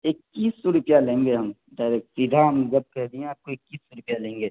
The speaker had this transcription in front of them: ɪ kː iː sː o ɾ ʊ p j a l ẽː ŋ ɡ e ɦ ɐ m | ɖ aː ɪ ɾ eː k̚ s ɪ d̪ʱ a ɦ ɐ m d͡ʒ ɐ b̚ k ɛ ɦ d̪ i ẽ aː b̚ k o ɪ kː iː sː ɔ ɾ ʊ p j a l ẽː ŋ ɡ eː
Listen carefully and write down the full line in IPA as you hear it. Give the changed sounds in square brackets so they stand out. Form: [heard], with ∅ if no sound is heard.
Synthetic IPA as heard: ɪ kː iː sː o ɾ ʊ p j a l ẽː ŋ ɡ e ɦ ɐ m | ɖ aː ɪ ɾ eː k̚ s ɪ d̪ʱ a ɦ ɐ m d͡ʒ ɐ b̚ k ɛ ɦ d̪ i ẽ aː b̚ k o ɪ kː iː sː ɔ ɾ ʊ p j a l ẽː ŋ ɡ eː